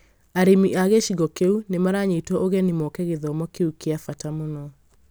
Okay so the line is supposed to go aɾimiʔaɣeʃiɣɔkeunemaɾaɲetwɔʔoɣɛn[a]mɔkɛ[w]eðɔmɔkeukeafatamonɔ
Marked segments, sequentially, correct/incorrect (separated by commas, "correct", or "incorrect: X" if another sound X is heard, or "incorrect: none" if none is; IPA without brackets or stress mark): incorrect: i, incorrect: ɣ